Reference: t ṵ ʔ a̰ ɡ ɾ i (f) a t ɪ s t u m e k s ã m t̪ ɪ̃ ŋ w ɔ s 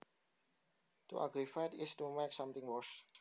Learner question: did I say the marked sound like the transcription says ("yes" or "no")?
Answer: yes